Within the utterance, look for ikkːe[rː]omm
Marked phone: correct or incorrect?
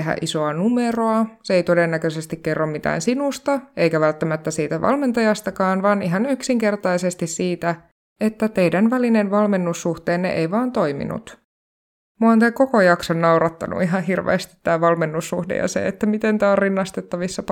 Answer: correct